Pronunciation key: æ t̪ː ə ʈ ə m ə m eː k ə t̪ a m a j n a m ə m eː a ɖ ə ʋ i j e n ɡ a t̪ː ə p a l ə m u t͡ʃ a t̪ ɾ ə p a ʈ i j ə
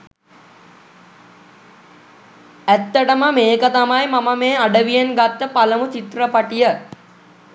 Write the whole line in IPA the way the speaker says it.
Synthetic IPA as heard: æ t̪ː ə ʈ ə m ə m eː k ə t̪ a m a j m a m ə m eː a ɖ ə ʋ i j e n ɡ a t̪ː ə p a l ə m u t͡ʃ i t̪ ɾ ə p a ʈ i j ə